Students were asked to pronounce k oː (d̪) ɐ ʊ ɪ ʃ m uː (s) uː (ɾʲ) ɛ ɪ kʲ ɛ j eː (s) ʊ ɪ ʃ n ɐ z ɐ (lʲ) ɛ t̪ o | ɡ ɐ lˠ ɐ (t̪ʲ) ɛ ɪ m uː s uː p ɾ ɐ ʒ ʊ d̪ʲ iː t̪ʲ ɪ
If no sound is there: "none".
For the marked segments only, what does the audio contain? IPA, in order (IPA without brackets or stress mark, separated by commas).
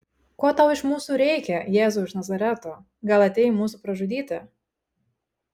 t̪, s, ɾʲ, z, ɾʲ, t̪ʲ